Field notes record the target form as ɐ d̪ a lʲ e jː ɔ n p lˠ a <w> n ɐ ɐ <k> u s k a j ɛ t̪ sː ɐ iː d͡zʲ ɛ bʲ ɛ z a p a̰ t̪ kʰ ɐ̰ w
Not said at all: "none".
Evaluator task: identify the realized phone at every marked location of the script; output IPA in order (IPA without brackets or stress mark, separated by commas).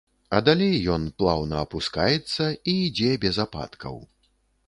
w, p